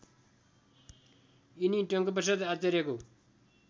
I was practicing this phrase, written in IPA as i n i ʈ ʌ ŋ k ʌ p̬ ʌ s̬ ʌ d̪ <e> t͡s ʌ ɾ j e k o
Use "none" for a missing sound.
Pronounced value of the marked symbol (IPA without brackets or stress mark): a